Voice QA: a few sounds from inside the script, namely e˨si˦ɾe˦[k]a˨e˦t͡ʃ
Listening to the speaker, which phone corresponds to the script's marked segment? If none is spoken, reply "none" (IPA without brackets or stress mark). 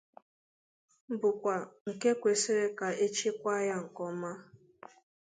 k